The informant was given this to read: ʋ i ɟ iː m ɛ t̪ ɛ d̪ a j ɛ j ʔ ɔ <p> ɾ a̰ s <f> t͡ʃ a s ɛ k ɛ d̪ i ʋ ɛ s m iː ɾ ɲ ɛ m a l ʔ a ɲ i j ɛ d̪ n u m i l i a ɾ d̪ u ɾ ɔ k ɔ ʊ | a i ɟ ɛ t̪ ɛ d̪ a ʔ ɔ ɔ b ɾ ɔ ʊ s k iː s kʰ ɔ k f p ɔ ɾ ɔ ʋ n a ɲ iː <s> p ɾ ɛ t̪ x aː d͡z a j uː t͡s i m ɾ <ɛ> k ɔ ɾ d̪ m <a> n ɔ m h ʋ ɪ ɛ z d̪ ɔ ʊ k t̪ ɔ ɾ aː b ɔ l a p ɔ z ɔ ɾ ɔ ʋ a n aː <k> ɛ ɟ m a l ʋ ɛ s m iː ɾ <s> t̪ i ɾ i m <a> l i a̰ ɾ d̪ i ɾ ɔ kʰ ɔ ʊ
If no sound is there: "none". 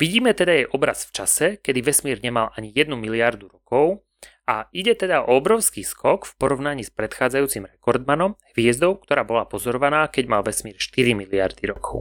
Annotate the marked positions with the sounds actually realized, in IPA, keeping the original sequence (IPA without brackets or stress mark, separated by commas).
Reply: b, f, s, ɛ, a, k, ʃ, i